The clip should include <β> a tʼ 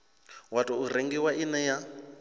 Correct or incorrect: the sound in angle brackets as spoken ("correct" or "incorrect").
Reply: incorrect